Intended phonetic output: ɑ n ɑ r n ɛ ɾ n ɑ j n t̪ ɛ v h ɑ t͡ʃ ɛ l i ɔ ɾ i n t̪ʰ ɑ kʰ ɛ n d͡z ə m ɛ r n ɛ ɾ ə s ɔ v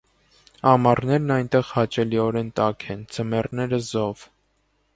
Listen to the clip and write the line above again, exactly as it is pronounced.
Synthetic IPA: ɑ m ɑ r n ɛ ɾ n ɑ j n t̪ ɛ ʁ h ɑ t͡ʃ ɛ l i ɔ ɾ ɛ n t̪ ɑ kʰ ɛ n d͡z ə m ɛ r n ɛ ɾ ə z ɔ v